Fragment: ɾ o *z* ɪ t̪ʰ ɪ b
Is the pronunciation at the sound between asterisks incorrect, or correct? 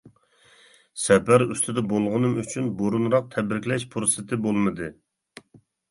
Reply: incorrect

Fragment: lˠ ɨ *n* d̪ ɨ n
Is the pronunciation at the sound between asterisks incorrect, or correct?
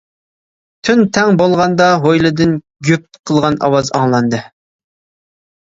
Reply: incorrect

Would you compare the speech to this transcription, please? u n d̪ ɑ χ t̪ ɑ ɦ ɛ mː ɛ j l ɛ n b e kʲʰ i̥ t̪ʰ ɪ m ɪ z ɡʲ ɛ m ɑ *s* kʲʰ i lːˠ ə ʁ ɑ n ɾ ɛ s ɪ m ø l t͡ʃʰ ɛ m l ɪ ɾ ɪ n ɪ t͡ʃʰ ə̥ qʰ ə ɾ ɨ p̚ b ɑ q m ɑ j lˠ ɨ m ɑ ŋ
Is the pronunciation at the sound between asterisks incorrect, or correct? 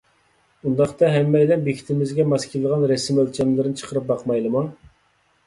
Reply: correct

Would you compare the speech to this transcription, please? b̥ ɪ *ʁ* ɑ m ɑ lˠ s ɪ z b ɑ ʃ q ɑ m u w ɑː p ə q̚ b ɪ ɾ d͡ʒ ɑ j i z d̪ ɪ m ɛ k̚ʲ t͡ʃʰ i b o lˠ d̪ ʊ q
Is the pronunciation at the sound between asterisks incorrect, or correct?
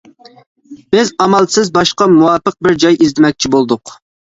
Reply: incorrect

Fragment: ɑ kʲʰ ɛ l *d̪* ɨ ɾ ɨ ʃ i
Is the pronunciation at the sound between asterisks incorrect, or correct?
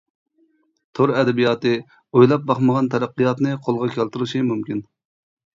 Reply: incorrect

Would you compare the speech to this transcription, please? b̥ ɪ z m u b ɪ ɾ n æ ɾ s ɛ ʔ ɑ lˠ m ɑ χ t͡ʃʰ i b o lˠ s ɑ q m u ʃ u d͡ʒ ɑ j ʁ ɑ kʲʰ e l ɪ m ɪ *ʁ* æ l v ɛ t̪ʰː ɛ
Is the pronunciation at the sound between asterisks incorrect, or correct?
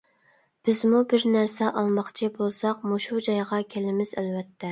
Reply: incorrect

